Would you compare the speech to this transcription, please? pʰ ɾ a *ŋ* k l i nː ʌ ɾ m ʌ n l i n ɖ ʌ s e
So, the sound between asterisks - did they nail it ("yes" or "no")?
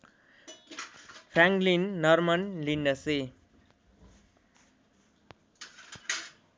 yes